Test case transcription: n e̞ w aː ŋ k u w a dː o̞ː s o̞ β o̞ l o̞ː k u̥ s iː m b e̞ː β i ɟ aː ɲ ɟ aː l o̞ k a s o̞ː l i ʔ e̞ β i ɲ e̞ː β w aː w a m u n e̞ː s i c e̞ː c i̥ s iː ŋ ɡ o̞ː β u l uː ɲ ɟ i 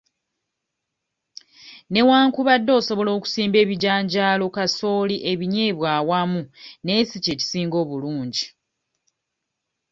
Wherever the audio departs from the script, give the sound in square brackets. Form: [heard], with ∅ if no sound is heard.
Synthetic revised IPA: n e̞ w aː ŋ k u [β] a dː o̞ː s o̞ β o̞ l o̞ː k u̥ s iː m b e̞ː β i ɟ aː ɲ ɟ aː l o̞ k a s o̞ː l i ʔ e̞ β i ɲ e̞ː β w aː w a m u n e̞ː s i c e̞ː c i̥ s iː ŋ ɡ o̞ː β u l uː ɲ ɟ i